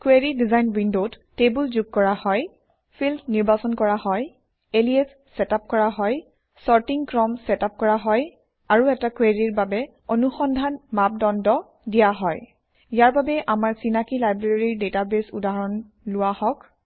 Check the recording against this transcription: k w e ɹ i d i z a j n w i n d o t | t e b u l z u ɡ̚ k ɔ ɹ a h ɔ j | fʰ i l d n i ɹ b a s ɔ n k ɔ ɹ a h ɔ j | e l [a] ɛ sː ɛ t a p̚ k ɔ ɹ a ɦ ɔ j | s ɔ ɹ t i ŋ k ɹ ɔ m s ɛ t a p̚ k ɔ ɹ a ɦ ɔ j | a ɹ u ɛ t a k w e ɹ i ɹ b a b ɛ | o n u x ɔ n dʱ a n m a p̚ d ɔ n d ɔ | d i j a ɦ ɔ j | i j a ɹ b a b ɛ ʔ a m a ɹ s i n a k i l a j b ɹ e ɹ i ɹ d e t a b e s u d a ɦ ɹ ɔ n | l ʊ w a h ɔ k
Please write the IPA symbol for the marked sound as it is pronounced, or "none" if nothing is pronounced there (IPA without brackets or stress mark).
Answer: i